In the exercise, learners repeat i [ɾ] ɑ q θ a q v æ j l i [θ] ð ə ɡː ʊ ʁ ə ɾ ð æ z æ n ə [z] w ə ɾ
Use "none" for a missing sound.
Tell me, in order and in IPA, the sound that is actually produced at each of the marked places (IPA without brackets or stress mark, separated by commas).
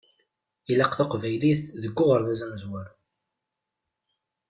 l, θ, z